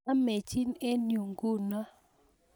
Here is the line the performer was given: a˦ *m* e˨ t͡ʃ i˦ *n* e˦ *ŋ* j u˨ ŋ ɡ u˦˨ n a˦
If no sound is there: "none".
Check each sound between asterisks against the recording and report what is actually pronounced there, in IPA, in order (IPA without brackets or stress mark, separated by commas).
m, n, n